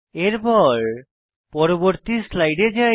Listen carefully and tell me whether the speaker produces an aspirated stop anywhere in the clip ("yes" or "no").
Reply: no